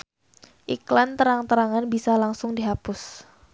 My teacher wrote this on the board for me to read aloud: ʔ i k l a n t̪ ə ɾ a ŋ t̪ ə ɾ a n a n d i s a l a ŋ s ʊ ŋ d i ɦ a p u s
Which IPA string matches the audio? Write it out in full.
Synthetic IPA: ʔ i k l a n t̪ ə ɾ a ŋ t̪ ə ɾ a ŋ a n b i s a l a ŋ s ʊ ŋ d i ɦ a p ʊ s